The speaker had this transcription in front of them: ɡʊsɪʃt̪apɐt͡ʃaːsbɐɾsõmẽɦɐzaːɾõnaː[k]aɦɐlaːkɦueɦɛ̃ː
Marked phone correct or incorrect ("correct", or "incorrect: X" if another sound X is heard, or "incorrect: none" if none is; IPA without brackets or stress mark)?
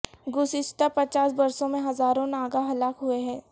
incorrect: ɡ